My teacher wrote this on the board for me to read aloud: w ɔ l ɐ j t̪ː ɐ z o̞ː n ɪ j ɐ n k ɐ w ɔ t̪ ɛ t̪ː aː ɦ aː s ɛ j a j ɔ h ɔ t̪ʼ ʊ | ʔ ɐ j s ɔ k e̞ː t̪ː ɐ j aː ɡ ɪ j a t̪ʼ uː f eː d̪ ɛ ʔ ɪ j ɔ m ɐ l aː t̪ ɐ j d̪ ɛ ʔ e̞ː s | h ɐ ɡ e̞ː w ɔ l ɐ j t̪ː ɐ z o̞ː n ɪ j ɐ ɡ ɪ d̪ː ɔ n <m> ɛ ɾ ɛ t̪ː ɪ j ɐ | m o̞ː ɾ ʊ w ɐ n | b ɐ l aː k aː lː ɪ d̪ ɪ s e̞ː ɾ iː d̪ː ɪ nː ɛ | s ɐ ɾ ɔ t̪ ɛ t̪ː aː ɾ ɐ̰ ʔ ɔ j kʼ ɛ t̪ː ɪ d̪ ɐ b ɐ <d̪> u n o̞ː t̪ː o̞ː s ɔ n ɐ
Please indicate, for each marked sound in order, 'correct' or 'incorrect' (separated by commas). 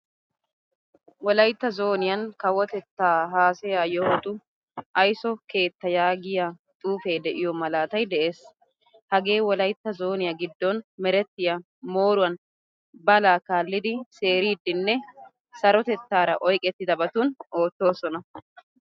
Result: correct, incorrect